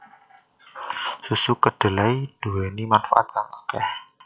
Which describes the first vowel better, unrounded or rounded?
rounded